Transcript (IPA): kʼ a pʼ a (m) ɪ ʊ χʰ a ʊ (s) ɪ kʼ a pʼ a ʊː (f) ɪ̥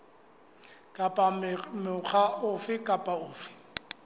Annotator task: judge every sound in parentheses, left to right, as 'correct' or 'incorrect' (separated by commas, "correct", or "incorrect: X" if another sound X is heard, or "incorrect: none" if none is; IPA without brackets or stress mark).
correct, incorrect: f, correct